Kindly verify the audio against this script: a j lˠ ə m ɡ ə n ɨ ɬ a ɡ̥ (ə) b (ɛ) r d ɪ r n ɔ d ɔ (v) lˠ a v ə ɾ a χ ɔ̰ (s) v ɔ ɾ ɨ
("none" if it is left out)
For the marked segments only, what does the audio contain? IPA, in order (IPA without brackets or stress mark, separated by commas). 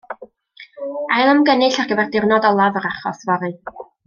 ə, ɛ, none, s